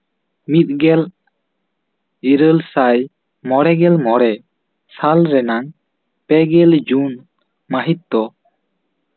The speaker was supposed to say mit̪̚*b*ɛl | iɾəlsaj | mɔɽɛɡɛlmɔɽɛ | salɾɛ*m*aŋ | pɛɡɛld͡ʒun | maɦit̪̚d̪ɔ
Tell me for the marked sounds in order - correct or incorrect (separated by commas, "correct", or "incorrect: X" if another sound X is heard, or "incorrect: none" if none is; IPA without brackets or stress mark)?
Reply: incorrect: ɡ, incorrect: n